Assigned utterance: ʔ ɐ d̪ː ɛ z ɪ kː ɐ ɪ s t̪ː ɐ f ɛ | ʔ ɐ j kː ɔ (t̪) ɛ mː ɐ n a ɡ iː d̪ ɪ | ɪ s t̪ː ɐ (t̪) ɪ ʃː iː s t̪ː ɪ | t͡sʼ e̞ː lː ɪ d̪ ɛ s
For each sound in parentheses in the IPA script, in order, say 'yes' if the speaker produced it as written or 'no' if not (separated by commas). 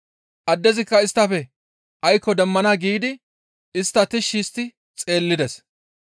no, yes